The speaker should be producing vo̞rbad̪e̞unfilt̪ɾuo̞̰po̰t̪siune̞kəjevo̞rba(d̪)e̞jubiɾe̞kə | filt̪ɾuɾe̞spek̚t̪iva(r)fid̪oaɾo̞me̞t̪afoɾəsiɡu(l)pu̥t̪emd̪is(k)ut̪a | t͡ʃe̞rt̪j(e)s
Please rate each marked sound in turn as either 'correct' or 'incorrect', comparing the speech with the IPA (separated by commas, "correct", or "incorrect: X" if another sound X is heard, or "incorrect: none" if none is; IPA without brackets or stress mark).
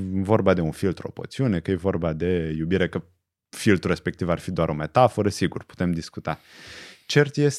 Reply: correct, correct, incorrect: r, correct, correct